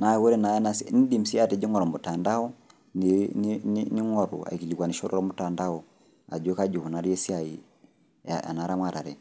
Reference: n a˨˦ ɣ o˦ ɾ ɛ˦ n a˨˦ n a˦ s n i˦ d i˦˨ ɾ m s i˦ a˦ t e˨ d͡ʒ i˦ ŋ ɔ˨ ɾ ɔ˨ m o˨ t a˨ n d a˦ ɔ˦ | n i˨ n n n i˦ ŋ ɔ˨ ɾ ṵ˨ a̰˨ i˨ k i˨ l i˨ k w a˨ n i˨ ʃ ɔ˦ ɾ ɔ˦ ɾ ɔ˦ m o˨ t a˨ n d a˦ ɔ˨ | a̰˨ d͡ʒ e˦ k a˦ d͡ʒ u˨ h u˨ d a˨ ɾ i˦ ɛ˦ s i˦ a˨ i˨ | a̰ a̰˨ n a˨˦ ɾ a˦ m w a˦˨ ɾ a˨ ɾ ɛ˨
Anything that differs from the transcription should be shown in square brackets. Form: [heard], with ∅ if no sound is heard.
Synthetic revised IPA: n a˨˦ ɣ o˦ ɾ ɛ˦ n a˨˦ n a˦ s n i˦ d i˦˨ [∅] m s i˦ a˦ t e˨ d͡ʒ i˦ ŋ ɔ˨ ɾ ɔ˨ m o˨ t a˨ n d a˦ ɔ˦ | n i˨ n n n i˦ ŋ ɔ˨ ɾ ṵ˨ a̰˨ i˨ k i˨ l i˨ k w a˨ n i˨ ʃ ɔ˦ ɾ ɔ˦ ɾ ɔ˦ m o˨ t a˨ n d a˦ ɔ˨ | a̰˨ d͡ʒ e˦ k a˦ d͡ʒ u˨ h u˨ [n] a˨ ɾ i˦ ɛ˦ s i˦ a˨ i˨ | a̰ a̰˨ n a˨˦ ɾ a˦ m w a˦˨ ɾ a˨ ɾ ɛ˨

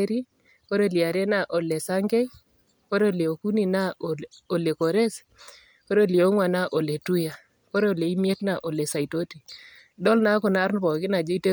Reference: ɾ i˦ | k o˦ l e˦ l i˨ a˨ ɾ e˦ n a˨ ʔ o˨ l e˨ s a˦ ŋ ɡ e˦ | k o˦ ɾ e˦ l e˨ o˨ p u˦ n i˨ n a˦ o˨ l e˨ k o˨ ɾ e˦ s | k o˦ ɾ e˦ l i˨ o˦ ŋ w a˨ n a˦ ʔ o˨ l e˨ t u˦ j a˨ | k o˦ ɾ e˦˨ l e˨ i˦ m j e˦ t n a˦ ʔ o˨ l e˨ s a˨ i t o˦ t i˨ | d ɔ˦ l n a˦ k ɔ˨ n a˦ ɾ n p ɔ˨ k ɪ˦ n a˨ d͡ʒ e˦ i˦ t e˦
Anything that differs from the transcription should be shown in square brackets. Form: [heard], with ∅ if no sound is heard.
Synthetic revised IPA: ɾ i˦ | k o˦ [ɾ] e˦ l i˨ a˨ ɾ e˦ n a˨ ʔ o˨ l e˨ s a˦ ŋ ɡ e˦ | k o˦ ɾ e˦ l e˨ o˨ [k] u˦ n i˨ n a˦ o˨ l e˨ k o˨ ɾ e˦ s | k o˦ ɾ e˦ l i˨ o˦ ŋ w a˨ n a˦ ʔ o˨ l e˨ t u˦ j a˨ | k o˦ ɾ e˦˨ l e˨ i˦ m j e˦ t n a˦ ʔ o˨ l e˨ s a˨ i t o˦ t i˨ | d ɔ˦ l n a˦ k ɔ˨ n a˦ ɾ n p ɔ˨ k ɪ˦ n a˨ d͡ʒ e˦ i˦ t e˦

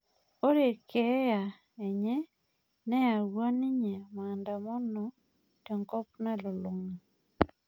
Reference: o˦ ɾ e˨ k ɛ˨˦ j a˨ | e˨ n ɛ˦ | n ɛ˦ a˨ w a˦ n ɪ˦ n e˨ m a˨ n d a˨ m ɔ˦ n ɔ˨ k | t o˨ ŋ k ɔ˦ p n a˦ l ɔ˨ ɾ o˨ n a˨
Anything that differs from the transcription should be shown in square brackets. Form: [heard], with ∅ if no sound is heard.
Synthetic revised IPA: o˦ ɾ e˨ k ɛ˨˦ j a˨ | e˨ [ɲ] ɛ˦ | n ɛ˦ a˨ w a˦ n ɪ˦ [ɲ] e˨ m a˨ n d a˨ m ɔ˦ n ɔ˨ [∅] | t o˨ ŋ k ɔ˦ p n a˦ l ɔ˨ [l] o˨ [ŋ] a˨

